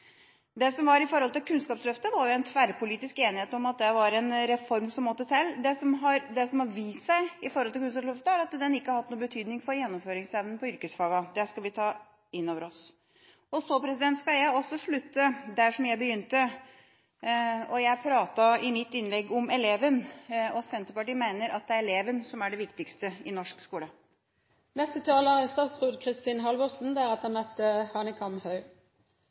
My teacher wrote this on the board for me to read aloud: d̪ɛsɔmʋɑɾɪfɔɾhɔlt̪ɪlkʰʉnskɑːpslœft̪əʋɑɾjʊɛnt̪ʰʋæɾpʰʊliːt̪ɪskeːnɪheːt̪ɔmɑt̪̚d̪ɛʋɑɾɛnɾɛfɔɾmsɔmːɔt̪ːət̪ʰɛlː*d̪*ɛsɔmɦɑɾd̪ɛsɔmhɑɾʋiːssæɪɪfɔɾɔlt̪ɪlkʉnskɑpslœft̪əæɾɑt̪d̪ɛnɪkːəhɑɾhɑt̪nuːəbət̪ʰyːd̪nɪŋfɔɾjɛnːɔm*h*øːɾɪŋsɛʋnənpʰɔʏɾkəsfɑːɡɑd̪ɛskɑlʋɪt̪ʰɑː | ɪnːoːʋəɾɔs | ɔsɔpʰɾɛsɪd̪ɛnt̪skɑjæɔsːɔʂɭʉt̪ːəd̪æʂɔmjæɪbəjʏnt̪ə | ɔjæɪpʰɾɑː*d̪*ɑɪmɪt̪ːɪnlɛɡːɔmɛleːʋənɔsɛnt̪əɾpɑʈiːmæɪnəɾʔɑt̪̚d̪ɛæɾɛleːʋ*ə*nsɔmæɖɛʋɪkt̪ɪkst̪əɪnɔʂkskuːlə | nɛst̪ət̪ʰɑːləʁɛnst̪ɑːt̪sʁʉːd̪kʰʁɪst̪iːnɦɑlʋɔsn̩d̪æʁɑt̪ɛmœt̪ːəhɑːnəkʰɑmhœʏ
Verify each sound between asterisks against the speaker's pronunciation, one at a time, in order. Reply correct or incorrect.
correct, incorrect: f, incorrect: t̪, correct

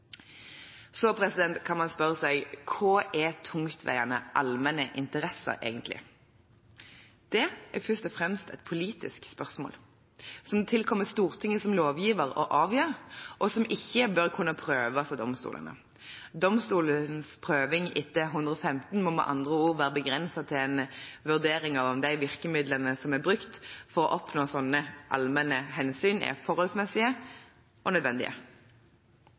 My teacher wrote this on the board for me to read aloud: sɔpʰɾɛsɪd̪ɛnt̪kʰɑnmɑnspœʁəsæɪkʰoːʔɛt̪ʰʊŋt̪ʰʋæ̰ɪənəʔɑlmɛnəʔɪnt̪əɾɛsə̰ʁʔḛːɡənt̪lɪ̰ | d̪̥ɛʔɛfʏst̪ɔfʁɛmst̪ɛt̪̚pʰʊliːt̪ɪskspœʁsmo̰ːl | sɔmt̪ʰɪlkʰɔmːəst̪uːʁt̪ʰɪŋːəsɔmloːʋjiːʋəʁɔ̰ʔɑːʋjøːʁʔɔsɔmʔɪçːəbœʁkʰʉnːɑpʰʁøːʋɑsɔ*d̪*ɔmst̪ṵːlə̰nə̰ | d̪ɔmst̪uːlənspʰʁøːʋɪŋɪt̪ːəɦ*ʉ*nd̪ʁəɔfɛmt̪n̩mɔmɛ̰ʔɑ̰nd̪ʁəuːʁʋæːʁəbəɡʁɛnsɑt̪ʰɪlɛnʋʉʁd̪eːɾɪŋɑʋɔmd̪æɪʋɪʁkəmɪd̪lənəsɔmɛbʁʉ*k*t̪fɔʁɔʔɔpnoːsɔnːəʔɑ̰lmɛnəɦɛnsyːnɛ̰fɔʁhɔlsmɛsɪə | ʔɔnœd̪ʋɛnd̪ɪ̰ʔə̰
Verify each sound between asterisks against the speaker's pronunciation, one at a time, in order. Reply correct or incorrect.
correct, correct, correct

